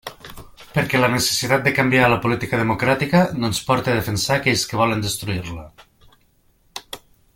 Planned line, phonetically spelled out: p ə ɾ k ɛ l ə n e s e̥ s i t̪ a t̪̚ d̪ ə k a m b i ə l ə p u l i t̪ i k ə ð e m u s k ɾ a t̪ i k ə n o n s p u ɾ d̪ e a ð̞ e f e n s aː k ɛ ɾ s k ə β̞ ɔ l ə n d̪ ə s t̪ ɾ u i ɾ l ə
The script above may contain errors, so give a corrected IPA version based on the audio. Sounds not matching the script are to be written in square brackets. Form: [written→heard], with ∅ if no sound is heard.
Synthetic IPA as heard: p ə ɾ k ɛ l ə n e s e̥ s i t̪ a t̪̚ d̪ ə k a m b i [ə→a] l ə p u l i t̪ i k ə ð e m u [s→∅] k ɾ a t̪ i k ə n o n s p [u→ɔ] ɾ [d̪→t̪] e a ð̞ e f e n s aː k ɛ [ɾ→ʎ] s k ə β̞ ɔ l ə n d̪ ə s t̪ ɾ u i ɾ l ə

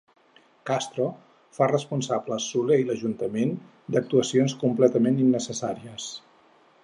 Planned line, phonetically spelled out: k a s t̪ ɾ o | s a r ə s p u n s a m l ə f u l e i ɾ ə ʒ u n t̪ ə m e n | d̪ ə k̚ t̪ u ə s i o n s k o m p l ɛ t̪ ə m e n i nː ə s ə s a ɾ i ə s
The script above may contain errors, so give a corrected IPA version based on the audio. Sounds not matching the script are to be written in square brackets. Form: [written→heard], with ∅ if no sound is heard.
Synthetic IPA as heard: k a s t̪ ɾ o | [s→f] a r ə s p u n s a [m→b] l ə [f→s] u l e i [ɾ→l] ə ʒ u n t̪ ə m e n | d̪ ə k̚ t̪ u ə s i o n s k [o→u] m p l ɛ t̪ ə m e n i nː ə s ə s a ɾ i ə s

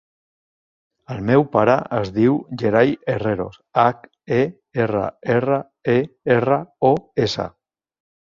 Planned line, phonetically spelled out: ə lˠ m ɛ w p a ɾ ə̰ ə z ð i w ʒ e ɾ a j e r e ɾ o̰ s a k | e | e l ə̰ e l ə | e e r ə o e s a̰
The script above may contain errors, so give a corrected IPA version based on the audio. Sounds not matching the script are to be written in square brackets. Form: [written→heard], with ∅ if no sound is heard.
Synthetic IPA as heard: ə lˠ m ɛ w p a ɾ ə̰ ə z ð i w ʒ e ɾ a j e r e ɾ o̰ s a k | e | e [l→r] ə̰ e [l→r] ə | e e r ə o e s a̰

